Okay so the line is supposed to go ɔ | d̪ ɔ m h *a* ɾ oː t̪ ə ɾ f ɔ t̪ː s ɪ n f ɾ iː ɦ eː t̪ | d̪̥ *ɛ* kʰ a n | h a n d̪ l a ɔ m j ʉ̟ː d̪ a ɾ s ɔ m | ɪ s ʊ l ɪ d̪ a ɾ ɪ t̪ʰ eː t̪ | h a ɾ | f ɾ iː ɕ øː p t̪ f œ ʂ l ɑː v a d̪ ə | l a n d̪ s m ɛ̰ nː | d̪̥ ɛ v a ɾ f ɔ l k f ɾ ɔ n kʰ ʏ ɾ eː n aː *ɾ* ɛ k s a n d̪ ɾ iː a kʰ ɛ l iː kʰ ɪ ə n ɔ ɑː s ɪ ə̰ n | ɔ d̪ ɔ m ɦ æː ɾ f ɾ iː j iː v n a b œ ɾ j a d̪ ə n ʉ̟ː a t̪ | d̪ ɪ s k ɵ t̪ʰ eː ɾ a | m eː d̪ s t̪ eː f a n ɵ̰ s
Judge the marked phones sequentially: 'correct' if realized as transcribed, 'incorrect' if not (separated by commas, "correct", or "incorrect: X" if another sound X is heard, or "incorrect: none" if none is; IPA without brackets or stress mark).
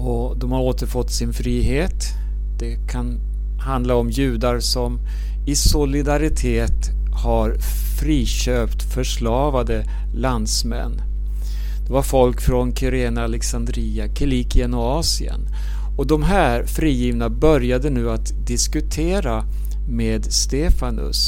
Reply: correct, correct, incorrect: l